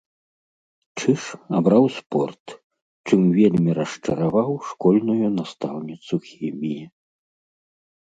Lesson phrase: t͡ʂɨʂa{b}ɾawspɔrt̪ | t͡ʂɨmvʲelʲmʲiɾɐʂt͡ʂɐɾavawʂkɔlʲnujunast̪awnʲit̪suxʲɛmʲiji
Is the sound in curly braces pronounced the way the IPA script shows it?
yes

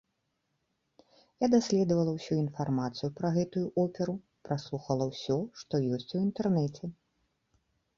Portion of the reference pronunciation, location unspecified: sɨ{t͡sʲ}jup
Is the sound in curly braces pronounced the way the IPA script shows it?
no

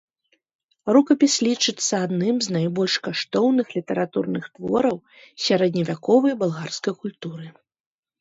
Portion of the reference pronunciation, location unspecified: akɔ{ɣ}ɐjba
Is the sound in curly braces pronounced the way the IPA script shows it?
no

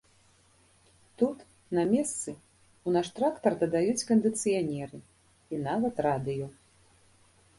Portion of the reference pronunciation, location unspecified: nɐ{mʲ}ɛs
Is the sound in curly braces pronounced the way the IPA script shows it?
yes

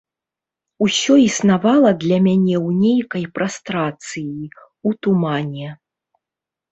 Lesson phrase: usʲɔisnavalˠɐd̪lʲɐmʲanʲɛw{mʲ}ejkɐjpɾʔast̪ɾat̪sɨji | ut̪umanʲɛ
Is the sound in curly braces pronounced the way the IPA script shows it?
no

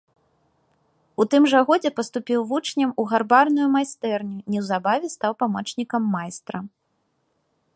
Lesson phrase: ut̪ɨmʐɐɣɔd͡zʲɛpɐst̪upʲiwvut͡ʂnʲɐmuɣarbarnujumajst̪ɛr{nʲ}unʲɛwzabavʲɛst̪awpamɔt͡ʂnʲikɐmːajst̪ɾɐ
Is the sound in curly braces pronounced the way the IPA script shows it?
yes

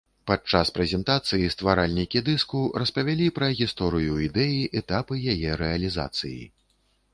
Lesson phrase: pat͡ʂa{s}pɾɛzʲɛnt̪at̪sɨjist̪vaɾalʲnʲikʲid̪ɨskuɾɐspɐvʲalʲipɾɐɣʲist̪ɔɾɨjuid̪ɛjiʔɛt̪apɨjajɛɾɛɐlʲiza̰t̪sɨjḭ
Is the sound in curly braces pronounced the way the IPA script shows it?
yes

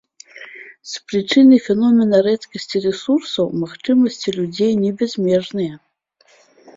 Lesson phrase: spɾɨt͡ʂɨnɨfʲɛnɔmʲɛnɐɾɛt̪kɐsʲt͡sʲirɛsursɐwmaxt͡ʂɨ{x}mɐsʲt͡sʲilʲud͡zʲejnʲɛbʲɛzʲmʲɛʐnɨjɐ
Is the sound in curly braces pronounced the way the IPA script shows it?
no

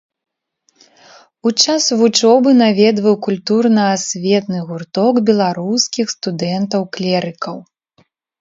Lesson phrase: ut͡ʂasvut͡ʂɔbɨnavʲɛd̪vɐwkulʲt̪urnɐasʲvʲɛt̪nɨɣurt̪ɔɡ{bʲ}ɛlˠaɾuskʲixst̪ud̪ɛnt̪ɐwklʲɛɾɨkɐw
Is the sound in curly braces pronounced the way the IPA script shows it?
yes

